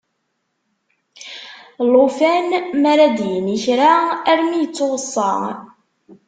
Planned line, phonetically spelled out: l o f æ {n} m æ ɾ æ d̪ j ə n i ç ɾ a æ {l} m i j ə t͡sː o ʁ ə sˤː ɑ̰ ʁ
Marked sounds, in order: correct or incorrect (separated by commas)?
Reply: correct, incorrect